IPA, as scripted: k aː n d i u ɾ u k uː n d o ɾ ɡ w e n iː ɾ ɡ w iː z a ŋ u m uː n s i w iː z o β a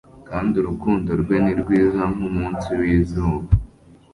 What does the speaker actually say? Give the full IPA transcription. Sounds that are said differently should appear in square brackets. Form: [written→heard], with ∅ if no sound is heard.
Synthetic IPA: k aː n d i u ɾ u k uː n d o ɾ ɡ w e n [iː→i] ɾ ɡ w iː z a ŋ u m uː n s i w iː z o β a